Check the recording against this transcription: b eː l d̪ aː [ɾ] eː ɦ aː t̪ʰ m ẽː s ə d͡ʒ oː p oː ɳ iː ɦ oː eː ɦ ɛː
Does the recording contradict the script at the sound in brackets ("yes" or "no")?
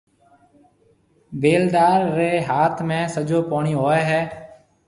yes